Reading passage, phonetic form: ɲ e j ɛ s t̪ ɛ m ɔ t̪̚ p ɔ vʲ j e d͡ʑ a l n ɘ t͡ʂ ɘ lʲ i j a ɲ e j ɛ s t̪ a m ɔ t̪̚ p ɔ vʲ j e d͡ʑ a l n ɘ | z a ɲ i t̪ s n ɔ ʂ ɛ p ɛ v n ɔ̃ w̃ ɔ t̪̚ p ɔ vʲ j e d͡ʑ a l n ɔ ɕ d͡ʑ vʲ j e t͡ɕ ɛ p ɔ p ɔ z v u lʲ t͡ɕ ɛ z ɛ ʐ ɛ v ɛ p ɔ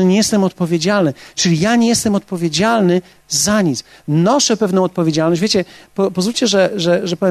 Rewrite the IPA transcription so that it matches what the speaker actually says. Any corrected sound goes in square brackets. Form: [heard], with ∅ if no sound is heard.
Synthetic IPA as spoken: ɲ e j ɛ s t̪ ɛ m ɔ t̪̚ p ɔ vʲ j e d͡ʑ a l n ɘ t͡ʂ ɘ lʲ i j a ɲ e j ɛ s t̪ [ɛ] m ɔ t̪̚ p ɔ vʲ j e d͡ʑ a l n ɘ | z a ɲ i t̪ s n ɔ ʂ ɛ p ɛ v n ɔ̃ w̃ ɔ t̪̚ p ɔ vʲ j e d͡ʑ a l n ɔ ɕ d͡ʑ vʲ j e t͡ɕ ɛ p ɔ p ɔ z v u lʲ t͡ɕ ɛ [ʐ] ɛ ʐ ɛ [ʐ] ɛ p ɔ